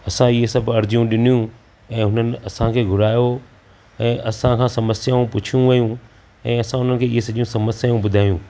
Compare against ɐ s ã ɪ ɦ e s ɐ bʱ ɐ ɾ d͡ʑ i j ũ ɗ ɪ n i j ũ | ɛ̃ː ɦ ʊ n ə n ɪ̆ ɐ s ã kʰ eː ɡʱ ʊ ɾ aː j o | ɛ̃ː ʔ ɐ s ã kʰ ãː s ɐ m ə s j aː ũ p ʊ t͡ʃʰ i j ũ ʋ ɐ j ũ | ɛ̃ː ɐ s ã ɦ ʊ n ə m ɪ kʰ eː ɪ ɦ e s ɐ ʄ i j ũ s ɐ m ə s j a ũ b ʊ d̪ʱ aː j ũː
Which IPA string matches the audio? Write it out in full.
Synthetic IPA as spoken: ɐ s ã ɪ ɦ e s ɐ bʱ ɐ ɾ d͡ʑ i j ũ ɗ ɪ n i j ũ | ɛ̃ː ɦ ʊ n ə n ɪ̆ ɐ s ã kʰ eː ɡʱ ʊ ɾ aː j o | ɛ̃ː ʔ ɐ s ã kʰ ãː s ɐ m ə s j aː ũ p ʊ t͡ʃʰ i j ũ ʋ ɐ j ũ | ɛ̃ː ɐ s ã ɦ ʊ n ə n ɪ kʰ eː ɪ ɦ e s ɐ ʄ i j ũ s ɐ m ə s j a ũ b ʊ d̪ʱ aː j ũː